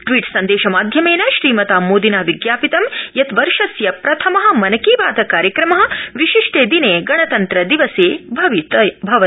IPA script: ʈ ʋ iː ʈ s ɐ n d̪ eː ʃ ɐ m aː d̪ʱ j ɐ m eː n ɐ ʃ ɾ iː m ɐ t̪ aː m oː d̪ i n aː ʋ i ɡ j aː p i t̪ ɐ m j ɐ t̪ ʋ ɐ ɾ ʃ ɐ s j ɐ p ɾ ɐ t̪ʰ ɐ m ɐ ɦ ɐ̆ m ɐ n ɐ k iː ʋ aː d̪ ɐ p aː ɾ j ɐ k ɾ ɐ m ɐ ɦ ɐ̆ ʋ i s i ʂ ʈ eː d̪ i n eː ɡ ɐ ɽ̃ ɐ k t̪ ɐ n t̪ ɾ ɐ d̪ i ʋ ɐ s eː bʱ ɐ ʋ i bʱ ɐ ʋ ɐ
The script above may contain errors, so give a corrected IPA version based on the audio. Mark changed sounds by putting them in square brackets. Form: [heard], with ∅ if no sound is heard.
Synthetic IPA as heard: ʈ ʋ iː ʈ s ɐ n d̪ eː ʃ ɐ m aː d̪ʱ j ɐ m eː n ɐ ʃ ɾ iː m ɐ t̪ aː m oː d̪ i n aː ʋ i ɡ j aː p i t̪ ɐ m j ɐ t̪ ʋ ɐ ɾ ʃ ɐ s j ɐ p ɾ ɐ t̪ʰ ɐ m ɐ ɦ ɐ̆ m ɐ n ɐ k iː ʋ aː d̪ ɐ [k] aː ɾ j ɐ k ɾ ɐ m ɐ ɦ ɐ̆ ʋ i [ʃ] i ʂ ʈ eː d̪ i n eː ɡ ɐ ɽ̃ ɐ [∅] t̪ ɐ n t̪ ɾ ɐ d̪ i ʋ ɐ s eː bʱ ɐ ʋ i bʱ ɐ ʋ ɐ

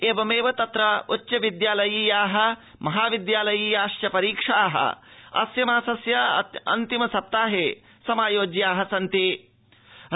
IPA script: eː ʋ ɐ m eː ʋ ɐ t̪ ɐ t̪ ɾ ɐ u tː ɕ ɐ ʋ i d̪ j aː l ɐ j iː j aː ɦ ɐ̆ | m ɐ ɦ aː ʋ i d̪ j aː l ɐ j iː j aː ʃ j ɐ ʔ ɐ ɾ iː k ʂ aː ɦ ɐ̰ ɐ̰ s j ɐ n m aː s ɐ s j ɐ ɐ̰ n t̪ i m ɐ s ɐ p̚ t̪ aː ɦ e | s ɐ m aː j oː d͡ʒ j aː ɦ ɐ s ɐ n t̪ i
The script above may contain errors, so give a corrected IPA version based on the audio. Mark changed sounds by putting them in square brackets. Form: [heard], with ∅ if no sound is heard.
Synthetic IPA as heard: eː ʋ ɐ m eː ʋ ɐ t̪ ɐ t̪ ɾ ɐ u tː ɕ ɐ ʋ i d̪ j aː l ɐ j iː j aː ɦ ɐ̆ | m ɐ ɦ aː ʋ i d̪ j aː l ɐ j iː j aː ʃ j ɐ [p] ɐ ɾ iː k ʂ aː ɦ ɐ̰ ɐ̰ s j ɐ [∅] m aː s ɐ s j ɐ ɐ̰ n t̪ i m ɐ s ɐ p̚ t̪ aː ɦ e | s ɐ m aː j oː d͡ʒ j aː ɦ ɐ s ɐ n t̪ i

